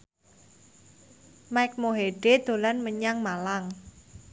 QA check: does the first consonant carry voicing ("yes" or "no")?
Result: yes